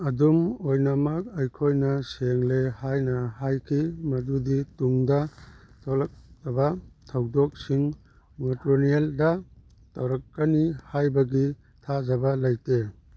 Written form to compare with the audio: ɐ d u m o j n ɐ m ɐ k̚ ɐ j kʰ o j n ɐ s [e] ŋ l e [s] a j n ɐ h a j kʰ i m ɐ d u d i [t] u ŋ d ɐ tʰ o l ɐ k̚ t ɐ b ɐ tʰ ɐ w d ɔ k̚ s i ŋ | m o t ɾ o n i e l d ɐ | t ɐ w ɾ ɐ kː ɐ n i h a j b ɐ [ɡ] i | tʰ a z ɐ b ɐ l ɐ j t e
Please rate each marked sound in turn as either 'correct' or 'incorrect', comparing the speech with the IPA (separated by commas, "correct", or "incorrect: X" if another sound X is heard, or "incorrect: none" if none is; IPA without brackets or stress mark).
correct, incorrect: h, correct, correct